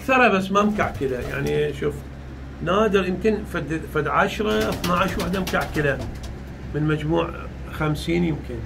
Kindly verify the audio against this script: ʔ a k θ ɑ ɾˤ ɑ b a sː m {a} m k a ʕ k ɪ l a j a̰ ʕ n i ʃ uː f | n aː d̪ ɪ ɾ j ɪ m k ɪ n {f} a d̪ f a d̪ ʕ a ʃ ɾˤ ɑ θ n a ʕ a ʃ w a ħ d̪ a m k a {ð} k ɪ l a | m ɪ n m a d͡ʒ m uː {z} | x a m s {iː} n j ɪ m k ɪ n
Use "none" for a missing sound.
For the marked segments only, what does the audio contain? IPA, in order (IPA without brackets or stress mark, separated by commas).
a, f, ʕ, ʕ, iː